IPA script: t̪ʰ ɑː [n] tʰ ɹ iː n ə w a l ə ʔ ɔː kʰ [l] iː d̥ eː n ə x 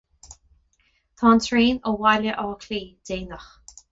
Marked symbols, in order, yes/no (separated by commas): yes, yes